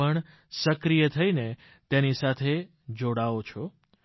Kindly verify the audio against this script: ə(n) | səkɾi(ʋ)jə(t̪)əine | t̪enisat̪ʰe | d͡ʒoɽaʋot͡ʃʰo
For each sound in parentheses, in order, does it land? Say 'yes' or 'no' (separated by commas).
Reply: no, no, no